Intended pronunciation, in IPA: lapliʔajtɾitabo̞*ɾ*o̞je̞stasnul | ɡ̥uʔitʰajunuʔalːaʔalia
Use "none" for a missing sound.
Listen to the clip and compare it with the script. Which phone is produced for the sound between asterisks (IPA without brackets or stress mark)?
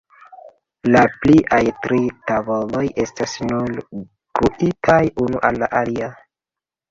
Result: l